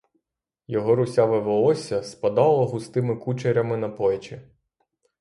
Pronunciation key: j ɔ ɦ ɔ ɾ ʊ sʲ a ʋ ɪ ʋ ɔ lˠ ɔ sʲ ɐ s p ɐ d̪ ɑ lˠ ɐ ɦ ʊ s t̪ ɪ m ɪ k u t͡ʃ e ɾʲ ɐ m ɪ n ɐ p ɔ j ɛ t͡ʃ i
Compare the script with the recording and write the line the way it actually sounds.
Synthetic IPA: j ɔ ɦ ɔ ɾ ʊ sʲ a ʋ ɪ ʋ ɔ lˠ ɔ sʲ ɐ s p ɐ d̪ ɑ lˠ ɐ ɦ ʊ s t̪ ɪ m ɪ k u t͡ʃ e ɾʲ ɐ m ɪ n ɐ p ɔ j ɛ t͡ʃ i